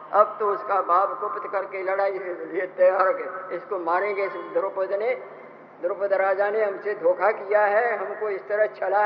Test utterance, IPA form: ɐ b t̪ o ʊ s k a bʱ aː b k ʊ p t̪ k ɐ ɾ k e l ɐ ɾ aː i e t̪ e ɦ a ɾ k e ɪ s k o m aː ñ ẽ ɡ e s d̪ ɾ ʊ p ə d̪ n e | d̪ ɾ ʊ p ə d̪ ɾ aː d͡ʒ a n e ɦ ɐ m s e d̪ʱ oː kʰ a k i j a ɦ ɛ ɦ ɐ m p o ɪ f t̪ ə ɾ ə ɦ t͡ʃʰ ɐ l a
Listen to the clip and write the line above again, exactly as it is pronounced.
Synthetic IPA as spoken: ɐ b t̪ o ʊ s k a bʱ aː b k ʊ p t̪ k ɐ ɾ k e l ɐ ɽ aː i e t̪ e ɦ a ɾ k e ɪ s k o m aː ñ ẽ ɡ e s d̪ ɾ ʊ p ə d̪ n e | d̪ ɾ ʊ p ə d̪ ɾ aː d͡ʒ a n e ɦ ɐ m s e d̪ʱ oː kʰ a k i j a ɦ ɛ ɦ ɐ m k o ɪ s t̪ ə ɾ ə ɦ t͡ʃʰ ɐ l a